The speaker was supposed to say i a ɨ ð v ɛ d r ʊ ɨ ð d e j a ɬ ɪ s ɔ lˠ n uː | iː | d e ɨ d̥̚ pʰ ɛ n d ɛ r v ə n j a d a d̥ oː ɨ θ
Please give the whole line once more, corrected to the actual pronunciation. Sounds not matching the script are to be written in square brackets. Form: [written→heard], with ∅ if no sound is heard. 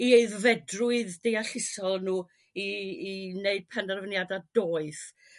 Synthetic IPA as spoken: i [a→e] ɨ ð v ɛ d r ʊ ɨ ð d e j a ɬ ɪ s ɔ lˠ n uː | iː | [d→n] e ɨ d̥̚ pʰ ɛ n d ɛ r v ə n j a d a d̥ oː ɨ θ